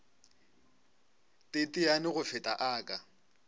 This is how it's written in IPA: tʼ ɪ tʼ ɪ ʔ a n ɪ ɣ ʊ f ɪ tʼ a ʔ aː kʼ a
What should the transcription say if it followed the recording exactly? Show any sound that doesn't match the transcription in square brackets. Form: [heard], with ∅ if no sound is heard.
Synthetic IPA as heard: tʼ ɪ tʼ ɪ [∅] a n ɪ ɣ ʊ f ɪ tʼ a ʔ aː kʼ a